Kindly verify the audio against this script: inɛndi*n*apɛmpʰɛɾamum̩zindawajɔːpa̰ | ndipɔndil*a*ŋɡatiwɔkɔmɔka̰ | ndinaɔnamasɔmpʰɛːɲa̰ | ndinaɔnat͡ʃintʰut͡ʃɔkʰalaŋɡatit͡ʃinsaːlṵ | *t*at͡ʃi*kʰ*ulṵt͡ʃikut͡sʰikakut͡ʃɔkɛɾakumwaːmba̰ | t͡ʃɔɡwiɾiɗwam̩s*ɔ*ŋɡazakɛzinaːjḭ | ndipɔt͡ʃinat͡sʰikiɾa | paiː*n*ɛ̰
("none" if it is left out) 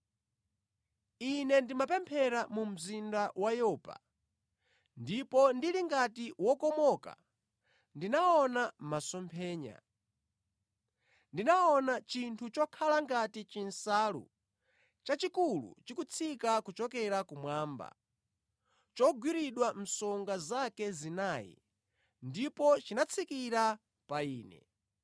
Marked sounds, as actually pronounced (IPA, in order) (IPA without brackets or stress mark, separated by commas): m, i, t͡ʃ, k, ɔ, n